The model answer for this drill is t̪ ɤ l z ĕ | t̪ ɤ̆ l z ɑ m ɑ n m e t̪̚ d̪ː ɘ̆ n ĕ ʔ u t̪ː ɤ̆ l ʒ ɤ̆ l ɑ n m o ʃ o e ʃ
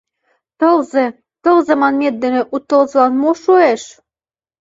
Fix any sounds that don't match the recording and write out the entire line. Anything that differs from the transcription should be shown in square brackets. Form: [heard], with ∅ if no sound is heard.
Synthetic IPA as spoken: t̪ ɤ l z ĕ | t̪ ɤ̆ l z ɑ m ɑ n m e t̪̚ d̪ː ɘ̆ n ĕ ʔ u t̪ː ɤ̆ l [z] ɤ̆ l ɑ n m o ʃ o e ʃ